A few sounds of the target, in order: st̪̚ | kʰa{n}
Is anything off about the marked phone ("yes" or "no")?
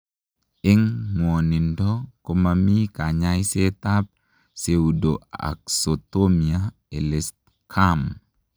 yes